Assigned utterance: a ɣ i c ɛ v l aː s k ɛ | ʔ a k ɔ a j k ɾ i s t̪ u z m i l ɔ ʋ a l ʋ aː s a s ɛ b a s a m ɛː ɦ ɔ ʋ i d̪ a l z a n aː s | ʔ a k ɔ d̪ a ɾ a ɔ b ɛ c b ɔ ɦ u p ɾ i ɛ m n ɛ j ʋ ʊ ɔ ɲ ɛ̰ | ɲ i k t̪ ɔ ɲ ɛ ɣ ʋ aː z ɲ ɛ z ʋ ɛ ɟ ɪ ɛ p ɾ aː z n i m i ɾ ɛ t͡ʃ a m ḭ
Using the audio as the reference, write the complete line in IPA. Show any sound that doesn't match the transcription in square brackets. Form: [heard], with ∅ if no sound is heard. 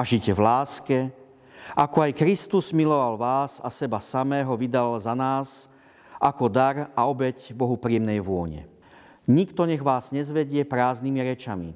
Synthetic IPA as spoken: a [ʒ] i c ɛ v l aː s k ɛ | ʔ a k ɔ a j k ɾ i s t̪ u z m i l ɔ ʋ a l ʋ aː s a s ɛ b a s a m ɛː ɦ ɔ ʋ i d̪ a l z a n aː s | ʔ a k ɔ d̪ a ɾ a ɔ b ɛ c b ɔ ɦ u p ɾ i ɛ m n ɛ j ʋ ʊ ɔ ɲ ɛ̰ | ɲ i k t̪ ɔ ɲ ɛ ɣ ʋ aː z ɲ ɛ z ʋ ɛ ɟ ɪ ɛ p ɾ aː z n i m i ɾ ɛ t͡ʃ a m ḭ